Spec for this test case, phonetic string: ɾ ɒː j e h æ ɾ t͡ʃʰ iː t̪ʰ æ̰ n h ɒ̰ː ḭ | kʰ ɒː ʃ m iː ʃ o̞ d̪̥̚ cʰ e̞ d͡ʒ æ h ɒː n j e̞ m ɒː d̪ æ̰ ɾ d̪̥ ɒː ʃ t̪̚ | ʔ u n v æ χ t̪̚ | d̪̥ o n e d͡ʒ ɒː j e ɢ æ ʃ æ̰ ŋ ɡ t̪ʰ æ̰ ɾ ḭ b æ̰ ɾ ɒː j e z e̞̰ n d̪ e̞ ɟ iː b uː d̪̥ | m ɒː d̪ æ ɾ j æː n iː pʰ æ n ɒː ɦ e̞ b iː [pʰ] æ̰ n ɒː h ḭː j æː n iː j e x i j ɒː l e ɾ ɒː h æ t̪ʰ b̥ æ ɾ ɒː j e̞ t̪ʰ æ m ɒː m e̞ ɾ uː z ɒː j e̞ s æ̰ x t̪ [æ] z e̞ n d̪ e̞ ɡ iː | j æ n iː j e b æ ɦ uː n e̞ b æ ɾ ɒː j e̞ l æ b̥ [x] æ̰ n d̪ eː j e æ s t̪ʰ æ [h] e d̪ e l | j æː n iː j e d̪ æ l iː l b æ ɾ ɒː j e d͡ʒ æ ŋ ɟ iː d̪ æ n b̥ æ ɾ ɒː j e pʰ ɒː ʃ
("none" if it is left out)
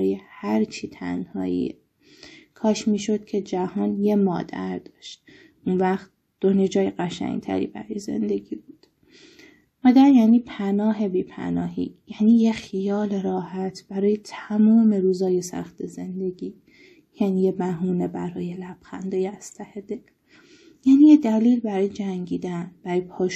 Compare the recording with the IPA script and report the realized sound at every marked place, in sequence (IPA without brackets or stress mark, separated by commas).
pʰ, e, x, h